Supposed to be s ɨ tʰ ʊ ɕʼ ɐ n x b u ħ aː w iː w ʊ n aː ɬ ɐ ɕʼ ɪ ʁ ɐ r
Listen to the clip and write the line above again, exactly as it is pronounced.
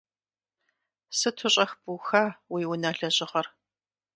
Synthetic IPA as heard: s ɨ tʰ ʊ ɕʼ ɐ x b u x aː w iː w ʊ n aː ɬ ɐ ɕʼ ɪ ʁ ɐ r